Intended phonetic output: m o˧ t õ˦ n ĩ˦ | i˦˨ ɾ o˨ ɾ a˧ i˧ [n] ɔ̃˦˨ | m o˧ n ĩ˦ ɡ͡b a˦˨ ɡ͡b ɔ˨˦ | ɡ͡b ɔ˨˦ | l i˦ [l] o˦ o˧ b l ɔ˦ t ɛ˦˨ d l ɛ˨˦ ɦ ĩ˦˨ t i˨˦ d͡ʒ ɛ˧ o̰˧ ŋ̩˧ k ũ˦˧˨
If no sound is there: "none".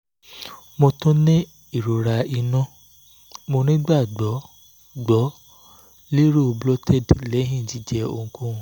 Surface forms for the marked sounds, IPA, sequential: n, ɾ

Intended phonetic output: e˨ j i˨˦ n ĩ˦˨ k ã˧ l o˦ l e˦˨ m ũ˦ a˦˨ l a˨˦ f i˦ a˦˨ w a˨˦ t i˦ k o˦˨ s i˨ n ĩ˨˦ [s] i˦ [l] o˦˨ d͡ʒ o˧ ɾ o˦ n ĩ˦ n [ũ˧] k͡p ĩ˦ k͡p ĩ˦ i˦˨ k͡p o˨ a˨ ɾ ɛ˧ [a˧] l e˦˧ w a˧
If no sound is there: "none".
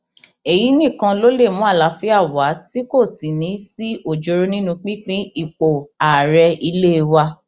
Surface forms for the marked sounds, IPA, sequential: s, none, ũ˧, i˧

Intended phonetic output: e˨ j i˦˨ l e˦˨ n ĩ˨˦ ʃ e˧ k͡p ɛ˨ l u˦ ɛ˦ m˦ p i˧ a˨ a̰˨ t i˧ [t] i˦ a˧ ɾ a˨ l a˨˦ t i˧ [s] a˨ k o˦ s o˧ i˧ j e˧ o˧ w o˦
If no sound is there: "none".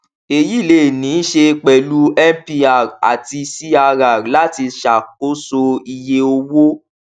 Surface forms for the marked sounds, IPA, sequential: s, ʃ

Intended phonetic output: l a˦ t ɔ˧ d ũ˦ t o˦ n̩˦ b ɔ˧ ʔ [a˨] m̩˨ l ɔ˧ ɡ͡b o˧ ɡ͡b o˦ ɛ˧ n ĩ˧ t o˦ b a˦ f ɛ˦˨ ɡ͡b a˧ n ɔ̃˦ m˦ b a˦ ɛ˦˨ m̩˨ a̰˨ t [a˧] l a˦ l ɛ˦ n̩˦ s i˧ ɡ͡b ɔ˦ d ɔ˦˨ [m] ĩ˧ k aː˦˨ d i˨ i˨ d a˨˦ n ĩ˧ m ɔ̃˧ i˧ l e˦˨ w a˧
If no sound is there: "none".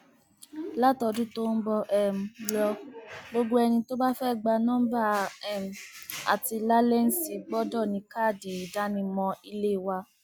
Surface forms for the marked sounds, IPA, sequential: ɛ˨, i˧, n

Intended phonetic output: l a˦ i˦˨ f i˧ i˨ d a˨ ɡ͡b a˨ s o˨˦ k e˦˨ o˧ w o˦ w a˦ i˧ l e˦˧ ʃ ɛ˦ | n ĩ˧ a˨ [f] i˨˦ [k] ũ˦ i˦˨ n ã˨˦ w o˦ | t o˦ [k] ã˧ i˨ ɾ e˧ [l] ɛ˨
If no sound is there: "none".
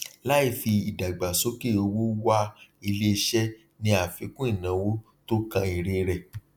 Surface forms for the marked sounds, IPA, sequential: f, k, k, ɾ

